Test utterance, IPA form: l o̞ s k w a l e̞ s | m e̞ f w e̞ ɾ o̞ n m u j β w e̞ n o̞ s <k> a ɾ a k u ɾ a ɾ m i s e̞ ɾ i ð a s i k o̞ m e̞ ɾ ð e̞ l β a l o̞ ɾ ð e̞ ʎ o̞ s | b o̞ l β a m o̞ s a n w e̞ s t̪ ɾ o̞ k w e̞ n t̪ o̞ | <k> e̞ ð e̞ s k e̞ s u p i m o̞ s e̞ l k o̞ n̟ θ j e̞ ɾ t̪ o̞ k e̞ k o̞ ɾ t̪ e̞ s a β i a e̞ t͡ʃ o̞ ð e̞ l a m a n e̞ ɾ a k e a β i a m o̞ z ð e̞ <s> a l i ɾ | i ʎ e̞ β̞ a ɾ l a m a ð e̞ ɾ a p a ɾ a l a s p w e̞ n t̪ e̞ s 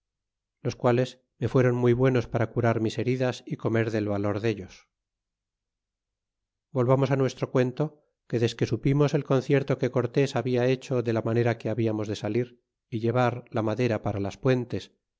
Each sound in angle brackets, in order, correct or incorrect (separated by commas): incorrect, correct, correct